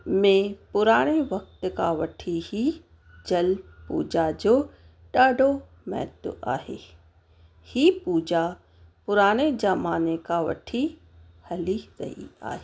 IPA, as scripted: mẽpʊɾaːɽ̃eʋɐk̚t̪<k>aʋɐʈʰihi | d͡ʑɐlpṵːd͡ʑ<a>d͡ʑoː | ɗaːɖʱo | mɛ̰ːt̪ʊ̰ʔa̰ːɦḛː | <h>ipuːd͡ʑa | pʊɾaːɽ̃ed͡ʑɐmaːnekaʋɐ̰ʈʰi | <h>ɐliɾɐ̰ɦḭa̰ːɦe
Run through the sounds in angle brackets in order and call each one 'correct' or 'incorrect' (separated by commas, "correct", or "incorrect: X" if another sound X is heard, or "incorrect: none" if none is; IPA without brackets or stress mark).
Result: correct, correct, correct, correct